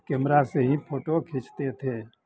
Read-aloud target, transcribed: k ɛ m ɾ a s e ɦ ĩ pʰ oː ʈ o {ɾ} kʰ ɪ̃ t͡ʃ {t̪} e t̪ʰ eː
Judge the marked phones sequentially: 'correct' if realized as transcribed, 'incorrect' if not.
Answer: incorrect, correct

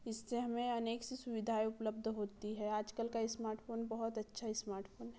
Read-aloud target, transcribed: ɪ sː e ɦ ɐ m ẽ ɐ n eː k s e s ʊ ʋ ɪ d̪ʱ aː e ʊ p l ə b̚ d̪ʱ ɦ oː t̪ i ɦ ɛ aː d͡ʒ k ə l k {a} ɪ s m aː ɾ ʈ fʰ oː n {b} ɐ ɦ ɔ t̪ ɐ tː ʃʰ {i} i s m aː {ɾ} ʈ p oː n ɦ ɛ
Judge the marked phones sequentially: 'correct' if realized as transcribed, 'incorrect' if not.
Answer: correct, correct, incorrect, correct

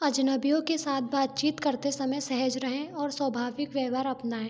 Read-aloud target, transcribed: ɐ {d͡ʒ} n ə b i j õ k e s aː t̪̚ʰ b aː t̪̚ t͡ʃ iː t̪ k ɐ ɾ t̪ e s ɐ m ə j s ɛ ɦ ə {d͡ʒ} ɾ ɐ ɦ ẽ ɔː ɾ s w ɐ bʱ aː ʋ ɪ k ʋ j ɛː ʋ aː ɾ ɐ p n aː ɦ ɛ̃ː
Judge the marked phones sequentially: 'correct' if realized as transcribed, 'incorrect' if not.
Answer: correct, correct

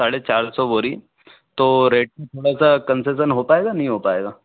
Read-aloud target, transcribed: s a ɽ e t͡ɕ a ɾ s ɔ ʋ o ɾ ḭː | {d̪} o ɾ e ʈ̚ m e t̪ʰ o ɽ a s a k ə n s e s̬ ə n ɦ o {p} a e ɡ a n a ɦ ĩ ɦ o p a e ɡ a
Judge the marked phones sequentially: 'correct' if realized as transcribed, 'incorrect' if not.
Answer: incorrect, correct

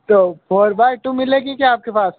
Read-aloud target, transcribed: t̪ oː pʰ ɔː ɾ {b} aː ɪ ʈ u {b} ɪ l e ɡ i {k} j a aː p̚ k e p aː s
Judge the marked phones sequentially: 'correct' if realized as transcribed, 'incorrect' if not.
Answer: correct, incorrect, correct

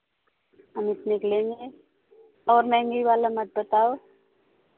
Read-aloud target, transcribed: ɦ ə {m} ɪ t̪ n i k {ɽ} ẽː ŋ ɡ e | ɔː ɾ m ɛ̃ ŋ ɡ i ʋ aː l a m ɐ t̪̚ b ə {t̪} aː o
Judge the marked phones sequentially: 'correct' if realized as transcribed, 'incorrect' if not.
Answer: correct, incorrect, correct

